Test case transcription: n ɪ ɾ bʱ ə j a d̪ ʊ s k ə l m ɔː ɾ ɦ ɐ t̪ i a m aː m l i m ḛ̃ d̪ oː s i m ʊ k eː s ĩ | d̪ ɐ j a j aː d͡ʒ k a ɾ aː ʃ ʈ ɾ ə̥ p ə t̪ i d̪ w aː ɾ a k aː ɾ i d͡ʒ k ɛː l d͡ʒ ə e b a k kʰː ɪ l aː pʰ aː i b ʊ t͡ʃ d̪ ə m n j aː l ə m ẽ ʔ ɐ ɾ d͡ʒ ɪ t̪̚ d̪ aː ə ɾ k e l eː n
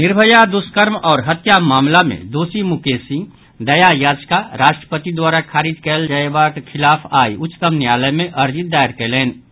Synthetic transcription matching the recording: n ɪ ɾ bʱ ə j a d̪ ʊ s k ə ɾ m ɔː ɾ ɦ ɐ t̪ j a m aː m l a m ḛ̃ d̪ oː s i m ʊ k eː s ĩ | d̪ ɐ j a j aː d͡ʒ k a ɾ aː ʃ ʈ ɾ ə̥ p ə t̪ i d̪ w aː ɾ a kʰ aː ɾ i d͡ʒ k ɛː l d͡ʒ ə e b a k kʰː ɪ l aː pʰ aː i ʊ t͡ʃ t̪ ə m n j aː l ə m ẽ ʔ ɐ ɾ d͡ʒ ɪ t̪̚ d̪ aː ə ɾ k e l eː n